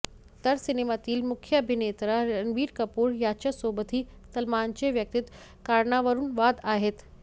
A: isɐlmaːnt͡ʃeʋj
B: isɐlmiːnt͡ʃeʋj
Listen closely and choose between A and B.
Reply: A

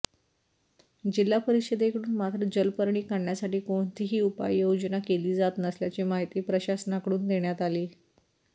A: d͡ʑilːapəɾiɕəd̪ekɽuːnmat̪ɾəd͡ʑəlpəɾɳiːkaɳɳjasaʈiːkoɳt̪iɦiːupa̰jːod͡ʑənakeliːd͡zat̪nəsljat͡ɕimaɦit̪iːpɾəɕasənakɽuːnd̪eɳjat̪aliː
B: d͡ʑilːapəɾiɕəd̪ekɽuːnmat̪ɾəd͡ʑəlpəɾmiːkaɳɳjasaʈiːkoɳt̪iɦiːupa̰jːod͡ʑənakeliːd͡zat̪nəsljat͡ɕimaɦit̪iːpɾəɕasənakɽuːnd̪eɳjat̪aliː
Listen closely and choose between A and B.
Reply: A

